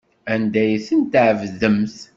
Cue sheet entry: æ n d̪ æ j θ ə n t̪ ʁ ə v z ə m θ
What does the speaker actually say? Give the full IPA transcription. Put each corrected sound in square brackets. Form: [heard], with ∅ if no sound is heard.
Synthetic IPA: æ n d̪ æ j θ ə n t̪ [ʕ] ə v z ə m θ

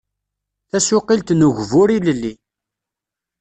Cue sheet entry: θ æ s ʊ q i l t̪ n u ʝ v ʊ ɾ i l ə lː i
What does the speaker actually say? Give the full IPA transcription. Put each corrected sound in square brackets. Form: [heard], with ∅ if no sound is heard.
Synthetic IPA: θ æ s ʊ q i l t̪ n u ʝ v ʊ ɾ i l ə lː i

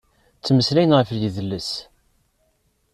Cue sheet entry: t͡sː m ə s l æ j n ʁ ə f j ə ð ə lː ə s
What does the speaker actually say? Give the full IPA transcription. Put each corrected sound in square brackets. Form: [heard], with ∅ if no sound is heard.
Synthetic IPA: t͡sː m ə s l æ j n ʁ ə f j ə ð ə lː ə s

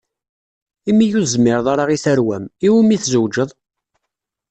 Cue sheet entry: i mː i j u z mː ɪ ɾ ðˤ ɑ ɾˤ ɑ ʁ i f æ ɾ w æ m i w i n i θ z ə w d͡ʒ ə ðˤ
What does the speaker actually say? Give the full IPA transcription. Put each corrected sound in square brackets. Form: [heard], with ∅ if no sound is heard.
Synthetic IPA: i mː i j u z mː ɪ ɾ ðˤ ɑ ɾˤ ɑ ʁ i [θ] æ ɾ w æ m i w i [m] i θ z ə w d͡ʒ ə ðˤ

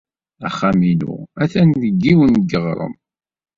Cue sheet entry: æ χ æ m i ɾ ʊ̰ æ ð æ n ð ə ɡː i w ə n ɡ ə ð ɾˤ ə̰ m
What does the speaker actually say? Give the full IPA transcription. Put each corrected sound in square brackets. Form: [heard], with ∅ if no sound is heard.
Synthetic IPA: æ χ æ m i [l] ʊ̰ æ [θ] æ n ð ə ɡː i w ə n ɡ ə [ʁ] ɾˤ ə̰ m

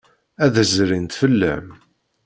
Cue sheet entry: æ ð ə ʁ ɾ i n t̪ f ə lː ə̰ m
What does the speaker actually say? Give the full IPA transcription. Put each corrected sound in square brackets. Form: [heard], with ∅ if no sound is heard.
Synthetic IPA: æ ð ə [z] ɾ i n t̪ f ə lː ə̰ m

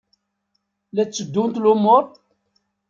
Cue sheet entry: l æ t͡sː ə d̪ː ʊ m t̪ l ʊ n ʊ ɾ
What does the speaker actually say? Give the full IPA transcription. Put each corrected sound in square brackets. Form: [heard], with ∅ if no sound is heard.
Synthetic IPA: l æ t͡sː ə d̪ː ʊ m t̪ l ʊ [m] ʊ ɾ

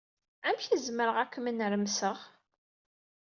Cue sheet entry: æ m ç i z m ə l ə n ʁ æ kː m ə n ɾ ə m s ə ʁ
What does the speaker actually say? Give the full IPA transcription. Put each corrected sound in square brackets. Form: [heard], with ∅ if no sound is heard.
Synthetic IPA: æ m ç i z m ə [ɾ] ə [∅] ʁ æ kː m ə n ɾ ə m s ə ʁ

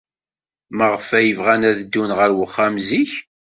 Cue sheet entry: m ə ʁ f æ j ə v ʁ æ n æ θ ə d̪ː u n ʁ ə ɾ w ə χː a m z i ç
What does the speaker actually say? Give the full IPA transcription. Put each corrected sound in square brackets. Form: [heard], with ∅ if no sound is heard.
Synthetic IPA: m ə ʁ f æ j ə v ʁ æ n æ [ð] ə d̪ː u n ʁ ə ɾ w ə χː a m z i ç

